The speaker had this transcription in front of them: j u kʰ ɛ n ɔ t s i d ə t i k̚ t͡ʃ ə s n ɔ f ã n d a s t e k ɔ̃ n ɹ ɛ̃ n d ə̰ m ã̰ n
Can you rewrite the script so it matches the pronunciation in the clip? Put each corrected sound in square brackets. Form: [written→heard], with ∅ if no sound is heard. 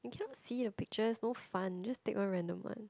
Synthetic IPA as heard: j u kʰ ɛ n ɔ t s i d ə [t→p] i k̚ t͡ʃ ə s n [ɔ→o] f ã n [d→d͡ʒ] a s t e k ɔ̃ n ɹ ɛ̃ n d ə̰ m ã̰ n